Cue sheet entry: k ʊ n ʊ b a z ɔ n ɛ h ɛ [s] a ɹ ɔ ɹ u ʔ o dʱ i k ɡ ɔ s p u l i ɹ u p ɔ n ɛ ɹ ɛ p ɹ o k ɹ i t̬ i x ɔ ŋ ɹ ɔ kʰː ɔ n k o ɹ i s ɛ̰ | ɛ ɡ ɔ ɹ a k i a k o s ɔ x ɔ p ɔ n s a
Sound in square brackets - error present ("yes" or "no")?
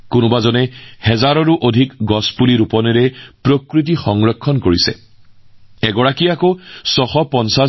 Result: yes